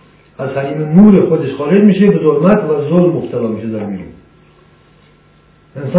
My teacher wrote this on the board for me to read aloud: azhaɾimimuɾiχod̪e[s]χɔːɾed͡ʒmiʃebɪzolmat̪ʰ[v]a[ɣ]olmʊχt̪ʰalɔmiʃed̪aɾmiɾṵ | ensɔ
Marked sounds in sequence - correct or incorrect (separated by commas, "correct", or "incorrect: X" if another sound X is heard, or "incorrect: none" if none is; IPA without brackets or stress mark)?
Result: incorrect: ʃ, correct, incorrect: z